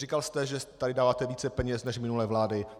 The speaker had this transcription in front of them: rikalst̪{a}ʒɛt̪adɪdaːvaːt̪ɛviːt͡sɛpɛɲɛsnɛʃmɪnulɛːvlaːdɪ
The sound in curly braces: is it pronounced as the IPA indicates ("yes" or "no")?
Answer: no